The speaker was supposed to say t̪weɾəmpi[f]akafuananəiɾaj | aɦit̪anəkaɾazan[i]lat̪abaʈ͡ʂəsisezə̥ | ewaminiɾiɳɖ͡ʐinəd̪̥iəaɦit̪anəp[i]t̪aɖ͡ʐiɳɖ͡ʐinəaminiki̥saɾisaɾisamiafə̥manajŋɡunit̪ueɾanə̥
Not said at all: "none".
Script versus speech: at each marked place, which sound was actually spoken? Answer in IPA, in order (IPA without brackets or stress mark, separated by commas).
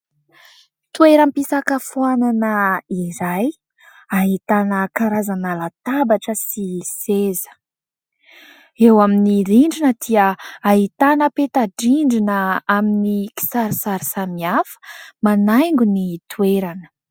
s, a, e